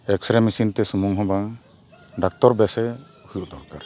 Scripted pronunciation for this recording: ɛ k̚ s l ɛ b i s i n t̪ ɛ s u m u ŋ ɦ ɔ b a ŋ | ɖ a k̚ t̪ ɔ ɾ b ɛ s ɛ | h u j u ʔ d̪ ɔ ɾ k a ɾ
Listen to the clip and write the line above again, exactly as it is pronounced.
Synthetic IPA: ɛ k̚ s ɾ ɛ m i s i n t̪ ɛ s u m u ŋ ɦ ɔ b a ŋ | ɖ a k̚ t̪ ɔ ɾ b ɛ s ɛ | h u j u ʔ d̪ ɔ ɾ k a ɾ